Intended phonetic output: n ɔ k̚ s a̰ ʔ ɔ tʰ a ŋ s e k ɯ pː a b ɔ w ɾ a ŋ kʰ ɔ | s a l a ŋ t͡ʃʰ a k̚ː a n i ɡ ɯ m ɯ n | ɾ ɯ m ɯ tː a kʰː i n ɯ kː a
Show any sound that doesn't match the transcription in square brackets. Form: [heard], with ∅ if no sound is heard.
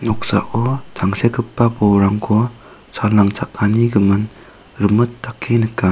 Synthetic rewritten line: n ɔ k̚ s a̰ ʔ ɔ tʰ a ŋ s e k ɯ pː a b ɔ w ɾ a ŋ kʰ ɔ | s a l a ŋ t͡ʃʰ a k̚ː a n i ɡ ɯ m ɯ n | ɾ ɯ m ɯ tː a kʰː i n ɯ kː a